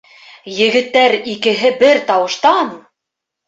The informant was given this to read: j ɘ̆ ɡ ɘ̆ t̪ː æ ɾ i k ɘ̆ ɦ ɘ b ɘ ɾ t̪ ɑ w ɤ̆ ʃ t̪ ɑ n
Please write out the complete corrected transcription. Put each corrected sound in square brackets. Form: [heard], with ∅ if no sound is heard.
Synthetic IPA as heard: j ɘ̆ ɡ ɘ̆ t̪ː æ ɾ i k ɘ̆ ɦ ɘ b ɘ ɾ t̪ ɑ w ɤ̆ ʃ t̪ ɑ n